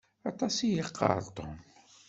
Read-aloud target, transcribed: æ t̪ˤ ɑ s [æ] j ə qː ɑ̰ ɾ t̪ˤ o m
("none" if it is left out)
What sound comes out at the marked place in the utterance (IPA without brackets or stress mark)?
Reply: i